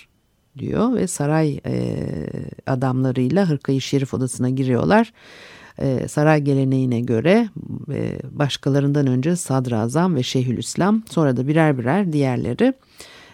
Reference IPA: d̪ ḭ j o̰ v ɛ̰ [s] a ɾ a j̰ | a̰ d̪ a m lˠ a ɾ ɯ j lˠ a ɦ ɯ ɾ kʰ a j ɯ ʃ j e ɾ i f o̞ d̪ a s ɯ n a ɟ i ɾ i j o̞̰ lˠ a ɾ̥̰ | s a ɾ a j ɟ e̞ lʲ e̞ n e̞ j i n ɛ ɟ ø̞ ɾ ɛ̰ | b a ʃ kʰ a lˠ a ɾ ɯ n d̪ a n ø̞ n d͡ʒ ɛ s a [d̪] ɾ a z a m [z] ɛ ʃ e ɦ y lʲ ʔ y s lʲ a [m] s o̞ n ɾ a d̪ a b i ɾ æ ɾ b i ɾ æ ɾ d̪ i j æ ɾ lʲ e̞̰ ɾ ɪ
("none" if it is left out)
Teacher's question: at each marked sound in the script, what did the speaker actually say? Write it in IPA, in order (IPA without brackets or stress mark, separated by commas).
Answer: s, d̪, v, m